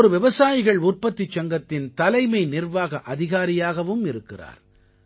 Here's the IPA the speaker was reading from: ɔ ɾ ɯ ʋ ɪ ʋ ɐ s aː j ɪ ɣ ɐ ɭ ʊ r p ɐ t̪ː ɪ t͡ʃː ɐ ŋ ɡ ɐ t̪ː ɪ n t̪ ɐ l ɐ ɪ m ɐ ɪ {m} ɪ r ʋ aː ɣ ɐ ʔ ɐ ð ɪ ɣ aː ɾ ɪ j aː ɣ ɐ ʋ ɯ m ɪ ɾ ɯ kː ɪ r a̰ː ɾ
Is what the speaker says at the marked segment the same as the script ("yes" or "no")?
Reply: no